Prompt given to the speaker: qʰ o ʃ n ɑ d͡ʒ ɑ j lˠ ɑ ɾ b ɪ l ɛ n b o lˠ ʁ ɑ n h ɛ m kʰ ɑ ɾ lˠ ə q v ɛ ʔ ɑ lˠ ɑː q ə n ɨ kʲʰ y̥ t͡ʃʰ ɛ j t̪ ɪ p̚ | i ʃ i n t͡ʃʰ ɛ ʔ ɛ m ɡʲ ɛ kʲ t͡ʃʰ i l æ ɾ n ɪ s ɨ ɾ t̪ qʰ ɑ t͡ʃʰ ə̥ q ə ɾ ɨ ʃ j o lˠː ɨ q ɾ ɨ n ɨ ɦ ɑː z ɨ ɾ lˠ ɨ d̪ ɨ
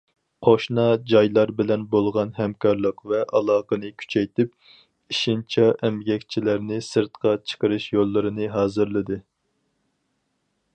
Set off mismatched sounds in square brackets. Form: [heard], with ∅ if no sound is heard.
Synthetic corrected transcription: qʰ o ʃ n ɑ d͡ʒ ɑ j lˠ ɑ ɾ b ɪ l ɛ n b o lˠ ʁ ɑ n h ɛ m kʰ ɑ ɾ lˠ ə q v ɛ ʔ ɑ lˠ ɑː q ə n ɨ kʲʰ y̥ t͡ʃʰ ɛ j t̪ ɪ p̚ | i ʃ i n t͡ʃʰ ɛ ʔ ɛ m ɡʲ ɛ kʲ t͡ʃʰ i l æ ɾ n ɪ s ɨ ɾ t̪ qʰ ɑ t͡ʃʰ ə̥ q ə ɾ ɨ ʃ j o lˠː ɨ [∅] ɾ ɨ n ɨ ɦ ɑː z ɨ ɾ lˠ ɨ d̪ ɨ